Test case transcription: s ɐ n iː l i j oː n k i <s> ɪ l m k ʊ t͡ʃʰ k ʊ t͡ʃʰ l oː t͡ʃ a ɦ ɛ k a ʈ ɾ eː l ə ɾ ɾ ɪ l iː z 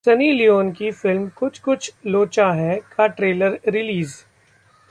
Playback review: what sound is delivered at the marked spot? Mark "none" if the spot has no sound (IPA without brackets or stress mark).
f